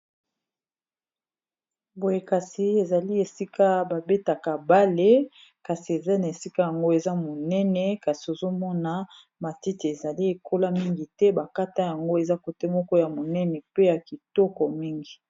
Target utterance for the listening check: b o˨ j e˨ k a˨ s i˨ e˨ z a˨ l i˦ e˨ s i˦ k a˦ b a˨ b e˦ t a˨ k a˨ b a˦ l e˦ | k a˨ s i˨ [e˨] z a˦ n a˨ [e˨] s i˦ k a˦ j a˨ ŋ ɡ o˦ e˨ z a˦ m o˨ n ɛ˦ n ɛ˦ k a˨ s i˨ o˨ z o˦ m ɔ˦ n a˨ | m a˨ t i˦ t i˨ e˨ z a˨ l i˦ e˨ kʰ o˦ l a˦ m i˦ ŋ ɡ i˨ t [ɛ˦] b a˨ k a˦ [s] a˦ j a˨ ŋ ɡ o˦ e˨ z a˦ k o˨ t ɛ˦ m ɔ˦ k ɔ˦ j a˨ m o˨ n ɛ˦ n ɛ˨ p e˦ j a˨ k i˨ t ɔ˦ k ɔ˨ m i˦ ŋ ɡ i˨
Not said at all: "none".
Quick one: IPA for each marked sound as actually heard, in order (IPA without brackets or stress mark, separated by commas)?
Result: e˨, e˨, ɛ˦, t